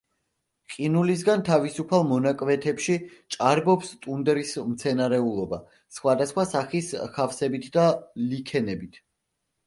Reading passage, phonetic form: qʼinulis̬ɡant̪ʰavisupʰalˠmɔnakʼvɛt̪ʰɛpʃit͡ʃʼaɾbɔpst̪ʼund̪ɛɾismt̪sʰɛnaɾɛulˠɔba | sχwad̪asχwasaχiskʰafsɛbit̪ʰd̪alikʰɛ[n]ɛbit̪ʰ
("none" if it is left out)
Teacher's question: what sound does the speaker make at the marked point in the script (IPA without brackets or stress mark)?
n